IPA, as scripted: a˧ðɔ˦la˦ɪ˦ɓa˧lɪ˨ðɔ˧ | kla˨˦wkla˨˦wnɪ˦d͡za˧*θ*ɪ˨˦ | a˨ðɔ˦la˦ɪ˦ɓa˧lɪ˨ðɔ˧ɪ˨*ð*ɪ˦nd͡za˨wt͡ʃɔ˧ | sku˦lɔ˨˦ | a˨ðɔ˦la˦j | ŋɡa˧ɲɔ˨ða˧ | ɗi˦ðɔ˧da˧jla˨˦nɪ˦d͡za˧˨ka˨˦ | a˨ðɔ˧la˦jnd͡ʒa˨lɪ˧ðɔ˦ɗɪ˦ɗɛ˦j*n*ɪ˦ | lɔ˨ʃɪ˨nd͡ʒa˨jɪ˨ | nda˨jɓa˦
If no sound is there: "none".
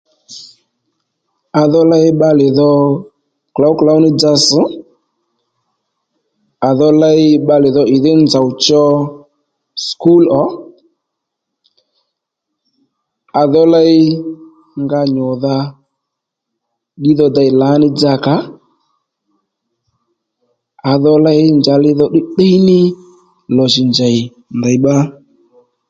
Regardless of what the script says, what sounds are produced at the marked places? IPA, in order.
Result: s, ð, n

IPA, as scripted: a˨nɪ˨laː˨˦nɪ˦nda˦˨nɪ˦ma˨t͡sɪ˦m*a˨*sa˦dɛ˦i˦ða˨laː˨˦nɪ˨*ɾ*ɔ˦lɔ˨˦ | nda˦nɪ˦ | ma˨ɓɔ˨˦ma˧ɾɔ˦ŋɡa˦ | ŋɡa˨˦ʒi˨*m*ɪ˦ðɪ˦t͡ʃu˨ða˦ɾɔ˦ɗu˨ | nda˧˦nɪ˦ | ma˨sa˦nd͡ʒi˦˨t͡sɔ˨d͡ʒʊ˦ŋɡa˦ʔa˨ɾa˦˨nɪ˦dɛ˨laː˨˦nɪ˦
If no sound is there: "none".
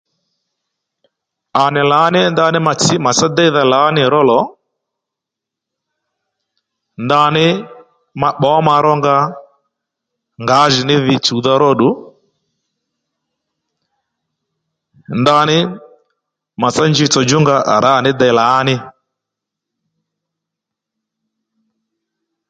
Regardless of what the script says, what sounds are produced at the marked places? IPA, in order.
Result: a˨, ɾ, n

